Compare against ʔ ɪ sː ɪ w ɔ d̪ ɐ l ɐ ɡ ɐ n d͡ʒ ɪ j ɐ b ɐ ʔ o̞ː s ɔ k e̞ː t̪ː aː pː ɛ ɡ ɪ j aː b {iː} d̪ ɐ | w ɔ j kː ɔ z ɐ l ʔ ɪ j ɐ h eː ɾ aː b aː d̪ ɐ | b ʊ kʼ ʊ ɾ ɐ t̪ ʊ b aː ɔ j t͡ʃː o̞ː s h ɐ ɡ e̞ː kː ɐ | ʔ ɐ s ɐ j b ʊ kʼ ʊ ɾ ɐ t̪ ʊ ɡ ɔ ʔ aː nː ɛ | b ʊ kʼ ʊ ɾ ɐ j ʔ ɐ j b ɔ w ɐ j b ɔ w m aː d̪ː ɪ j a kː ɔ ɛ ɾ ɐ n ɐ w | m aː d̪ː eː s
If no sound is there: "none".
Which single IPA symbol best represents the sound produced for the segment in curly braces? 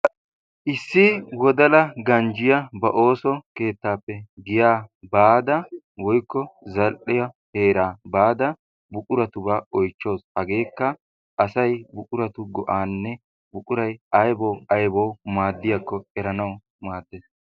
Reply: aː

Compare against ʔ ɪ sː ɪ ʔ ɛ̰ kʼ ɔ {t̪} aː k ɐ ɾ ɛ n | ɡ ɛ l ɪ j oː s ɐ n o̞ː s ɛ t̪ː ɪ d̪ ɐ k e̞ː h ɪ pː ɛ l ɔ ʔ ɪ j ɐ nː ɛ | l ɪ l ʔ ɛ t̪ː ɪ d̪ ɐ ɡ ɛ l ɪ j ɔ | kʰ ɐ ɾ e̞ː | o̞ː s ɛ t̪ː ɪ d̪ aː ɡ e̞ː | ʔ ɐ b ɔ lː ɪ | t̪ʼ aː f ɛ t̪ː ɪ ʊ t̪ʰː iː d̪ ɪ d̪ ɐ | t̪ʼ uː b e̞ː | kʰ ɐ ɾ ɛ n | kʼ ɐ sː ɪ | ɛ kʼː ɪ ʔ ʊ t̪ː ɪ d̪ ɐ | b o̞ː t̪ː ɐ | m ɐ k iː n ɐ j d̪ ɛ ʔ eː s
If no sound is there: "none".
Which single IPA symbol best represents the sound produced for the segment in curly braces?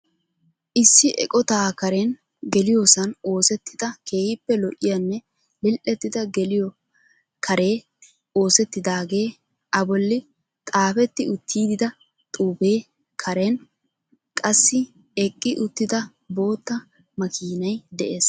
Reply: t̪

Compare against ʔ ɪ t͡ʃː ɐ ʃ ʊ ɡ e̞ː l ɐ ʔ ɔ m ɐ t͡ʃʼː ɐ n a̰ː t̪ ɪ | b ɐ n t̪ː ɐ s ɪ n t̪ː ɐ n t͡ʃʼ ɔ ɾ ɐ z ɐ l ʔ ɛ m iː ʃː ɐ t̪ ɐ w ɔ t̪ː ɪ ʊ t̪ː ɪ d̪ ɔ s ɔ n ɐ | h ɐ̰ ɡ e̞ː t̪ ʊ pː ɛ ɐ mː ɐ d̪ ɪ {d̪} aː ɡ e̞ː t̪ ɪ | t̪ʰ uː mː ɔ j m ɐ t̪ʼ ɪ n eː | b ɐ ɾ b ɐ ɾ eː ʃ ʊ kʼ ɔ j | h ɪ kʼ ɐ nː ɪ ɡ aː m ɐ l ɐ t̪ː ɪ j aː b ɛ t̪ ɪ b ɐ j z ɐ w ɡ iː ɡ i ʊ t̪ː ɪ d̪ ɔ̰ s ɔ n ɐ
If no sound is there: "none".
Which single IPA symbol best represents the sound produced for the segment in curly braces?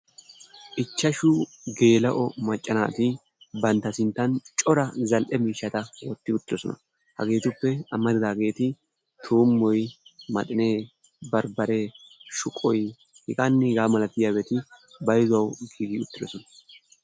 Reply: d̪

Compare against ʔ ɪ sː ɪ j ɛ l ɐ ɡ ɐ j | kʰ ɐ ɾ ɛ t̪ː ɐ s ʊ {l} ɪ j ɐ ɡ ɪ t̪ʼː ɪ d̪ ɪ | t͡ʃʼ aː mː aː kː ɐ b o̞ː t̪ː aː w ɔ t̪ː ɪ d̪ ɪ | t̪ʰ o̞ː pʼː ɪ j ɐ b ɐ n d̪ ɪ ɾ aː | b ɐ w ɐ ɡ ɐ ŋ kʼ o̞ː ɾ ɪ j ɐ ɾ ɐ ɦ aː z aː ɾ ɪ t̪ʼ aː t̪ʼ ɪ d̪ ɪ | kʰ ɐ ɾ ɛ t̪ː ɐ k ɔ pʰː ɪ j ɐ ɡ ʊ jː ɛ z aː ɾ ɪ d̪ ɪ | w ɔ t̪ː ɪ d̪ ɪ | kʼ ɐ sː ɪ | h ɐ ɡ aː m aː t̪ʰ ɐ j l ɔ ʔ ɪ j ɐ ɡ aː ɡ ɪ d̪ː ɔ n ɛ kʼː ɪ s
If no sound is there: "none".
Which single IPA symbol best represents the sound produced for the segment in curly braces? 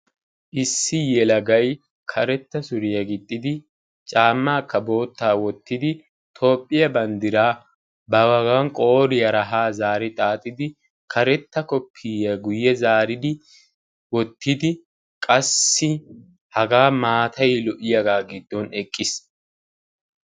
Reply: ɾ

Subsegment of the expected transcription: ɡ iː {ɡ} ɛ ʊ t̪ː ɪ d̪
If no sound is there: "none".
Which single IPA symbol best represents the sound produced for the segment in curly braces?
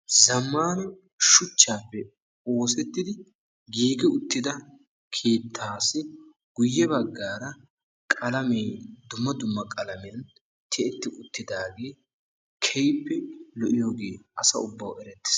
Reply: ɡ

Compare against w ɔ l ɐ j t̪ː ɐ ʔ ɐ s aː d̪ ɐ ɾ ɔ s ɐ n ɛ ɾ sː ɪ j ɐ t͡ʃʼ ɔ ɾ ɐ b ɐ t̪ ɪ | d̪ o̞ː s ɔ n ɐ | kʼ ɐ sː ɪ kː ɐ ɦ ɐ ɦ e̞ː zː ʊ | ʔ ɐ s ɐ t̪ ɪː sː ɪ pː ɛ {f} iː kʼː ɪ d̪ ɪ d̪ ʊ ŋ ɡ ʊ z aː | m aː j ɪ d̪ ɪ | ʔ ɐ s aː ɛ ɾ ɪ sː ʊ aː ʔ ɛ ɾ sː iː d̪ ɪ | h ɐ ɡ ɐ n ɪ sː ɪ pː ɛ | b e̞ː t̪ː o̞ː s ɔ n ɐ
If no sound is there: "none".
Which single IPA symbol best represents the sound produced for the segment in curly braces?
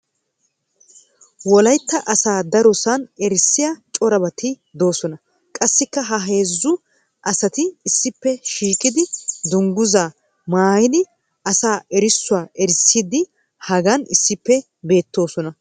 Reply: ʃ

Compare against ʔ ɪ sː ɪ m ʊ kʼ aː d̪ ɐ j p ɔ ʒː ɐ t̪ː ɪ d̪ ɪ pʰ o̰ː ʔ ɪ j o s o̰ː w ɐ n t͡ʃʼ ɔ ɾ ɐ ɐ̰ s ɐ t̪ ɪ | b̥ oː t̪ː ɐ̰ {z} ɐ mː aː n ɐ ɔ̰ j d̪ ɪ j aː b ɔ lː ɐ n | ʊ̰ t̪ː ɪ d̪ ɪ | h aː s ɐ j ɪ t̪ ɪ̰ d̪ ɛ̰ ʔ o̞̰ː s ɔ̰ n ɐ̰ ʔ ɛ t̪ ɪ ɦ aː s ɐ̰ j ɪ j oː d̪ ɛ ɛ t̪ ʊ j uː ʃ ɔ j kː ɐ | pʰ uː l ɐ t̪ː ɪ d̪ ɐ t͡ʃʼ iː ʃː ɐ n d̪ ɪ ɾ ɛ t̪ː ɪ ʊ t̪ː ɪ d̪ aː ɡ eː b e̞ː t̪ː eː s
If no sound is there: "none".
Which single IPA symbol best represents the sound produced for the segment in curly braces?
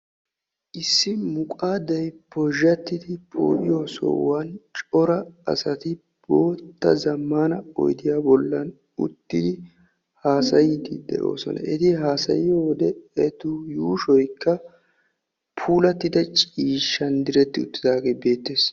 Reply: z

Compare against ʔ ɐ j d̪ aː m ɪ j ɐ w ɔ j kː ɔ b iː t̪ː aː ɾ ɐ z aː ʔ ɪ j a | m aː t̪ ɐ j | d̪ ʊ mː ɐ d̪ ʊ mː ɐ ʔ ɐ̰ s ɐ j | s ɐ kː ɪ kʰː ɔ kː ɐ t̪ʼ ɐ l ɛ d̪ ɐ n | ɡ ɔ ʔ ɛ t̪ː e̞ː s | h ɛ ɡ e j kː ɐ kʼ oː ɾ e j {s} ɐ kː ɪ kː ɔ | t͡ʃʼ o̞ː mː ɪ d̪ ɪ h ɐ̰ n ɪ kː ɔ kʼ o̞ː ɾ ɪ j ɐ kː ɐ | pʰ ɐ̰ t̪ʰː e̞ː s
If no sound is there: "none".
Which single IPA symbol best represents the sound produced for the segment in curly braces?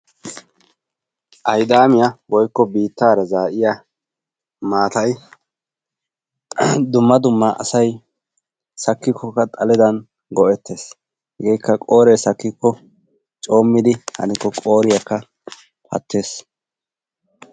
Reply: s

